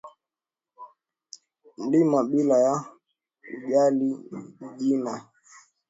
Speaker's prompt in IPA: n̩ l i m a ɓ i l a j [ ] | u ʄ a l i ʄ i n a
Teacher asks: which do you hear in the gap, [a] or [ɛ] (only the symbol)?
a